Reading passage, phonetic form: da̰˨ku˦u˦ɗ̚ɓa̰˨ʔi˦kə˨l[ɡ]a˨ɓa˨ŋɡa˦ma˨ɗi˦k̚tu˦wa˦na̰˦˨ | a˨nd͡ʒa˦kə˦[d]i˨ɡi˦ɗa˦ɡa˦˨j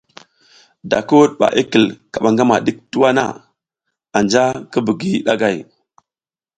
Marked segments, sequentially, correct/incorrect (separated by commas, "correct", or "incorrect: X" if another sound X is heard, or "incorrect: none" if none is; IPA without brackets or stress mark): incorrect: k, incorrect: b